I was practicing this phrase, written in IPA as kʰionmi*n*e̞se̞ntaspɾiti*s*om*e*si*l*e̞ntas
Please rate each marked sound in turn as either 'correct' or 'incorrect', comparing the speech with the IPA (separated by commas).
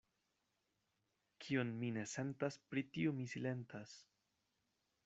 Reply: correct, incorrect, incorrect, correct